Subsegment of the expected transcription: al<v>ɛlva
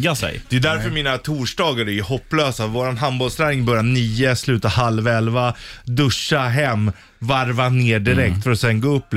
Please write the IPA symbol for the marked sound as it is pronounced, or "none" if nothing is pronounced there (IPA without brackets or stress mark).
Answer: v